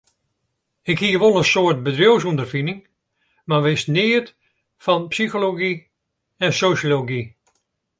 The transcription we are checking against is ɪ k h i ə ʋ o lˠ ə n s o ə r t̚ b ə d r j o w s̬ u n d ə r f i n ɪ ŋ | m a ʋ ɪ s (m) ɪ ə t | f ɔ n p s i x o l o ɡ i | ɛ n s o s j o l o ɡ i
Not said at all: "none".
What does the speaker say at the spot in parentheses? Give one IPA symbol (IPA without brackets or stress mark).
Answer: n